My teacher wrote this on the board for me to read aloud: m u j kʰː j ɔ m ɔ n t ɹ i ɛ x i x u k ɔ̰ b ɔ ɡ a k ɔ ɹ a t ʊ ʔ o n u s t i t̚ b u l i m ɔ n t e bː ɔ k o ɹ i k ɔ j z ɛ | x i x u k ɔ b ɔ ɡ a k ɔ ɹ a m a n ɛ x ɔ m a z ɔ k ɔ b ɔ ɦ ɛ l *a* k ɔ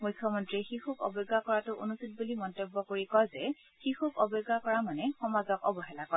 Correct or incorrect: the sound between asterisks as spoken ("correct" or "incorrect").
correct